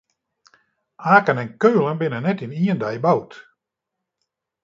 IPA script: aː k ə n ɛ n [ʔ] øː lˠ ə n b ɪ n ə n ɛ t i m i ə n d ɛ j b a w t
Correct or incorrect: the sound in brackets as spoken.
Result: incorrect: k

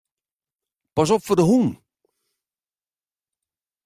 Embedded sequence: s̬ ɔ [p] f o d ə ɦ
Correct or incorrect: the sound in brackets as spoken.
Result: correct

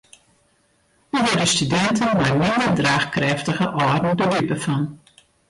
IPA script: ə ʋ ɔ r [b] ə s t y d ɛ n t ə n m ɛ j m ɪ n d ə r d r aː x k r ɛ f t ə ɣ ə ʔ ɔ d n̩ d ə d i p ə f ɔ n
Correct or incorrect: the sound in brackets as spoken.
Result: incorrect: d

